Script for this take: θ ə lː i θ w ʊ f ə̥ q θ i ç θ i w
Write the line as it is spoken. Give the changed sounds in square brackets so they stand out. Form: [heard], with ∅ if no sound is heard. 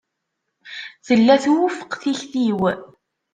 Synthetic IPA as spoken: θ ə lː [æ] θ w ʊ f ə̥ q θ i ç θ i w